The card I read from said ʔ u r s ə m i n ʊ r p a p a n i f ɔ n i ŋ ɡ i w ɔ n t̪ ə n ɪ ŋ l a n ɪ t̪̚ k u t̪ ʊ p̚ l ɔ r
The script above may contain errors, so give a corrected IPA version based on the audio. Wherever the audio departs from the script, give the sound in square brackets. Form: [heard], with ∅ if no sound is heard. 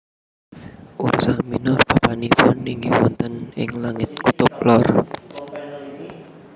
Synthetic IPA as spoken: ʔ u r s [a] m i n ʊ r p a p a n i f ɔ n i ŋ ɡ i w ɔ n t̪ ə n ɪ ŋ l a [ŋ] ɪ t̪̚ k u t̪ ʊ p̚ l ɔ r

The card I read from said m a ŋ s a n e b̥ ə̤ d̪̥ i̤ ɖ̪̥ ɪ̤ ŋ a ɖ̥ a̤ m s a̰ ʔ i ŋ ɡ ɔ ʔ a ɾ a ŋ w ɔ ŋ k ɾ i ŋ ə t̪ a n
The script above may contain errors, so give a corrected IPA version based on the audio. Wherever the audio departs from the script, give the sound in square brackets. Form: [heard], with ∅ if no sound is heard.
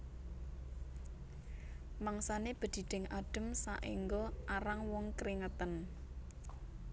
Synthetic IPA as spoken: m a ŋ s a n e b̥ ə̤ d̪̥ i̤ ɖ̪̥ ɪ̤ ŋ a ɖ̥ [ə̤] m s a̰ ʔ i ŋ ɡ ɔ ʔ a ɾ a ŋ w ɔ ŋ k ɾ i ŋ ə t̪ [ə] n

